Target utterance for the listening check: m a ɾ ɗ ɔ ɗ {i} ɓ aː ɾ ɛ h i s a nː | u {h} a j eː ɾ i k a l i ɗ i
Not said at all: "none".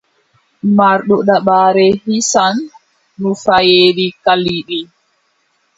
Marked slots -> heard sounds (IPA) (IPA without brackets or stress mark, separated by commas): a, f